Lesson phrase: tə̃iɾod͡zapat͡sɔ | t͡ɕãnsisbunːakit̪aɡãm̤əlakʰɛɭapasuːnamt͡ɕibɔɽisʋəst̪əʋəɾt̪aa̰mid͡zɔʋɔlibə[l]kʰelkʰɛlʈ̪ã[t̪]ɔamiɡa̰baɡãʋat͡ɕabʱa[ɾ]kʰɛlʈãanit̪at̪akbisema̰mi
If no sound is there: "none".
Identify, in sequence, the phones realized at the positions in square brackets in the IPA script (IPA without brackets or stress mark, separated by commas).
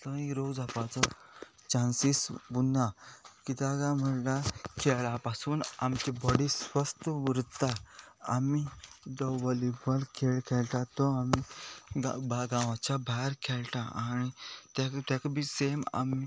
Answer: l, t̪, ɾ